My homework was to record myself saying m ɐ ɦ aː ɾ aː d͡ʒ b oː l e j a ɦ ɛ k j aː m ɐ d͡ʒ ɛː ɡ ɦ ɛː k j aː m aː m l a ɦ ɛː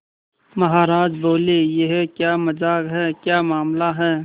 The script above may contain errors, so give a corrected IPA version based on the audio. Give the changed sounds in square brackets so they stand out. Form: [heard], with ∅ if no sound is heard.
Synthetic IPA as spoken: m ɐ ɦ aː ɾ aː d͡ʒ b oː l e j [e] ɦ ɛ k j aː m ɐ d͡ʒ [aː] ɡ ɦ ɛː k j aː m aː m l a ɦ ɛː